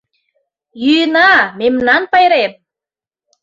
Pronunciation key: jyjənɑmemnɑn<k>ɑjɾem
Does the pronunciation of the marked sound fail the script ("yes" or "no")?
yes